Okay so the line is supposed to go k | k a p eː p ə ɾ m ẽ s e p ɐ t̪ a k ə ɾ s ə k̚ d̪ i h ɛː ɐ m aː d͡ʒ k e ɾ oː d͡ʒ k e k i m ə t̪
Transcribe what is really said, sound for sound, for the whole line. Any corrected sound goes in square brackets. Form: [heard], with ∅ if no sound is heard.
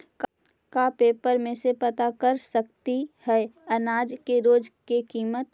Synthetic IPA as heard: k | k a p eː p ə ɾ m ẽ s e p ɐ t̪ a k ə ɾ s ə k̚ [t̪] i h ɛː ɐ [n] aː d͡ʒ k e ɾ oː d͡ʒ k e k [iː] m ə t̪